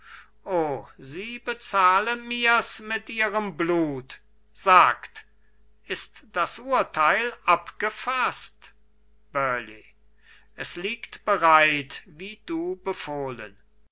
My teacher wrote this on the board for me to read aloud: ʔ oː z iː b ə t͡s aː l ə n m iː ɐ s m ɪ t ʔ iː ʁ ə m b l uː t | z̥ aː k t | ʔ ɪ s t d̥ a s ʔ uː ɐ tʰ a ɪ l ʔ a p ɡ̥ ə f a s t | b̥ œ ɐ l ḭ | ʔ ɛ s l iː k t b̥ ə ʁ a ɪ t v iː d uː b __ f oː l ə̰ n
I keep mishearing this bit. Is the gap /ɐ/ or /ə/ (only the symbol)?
ə